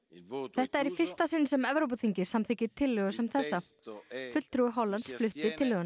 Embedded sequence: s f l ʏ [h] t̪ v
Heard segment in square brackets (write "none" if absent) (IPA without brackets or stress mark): h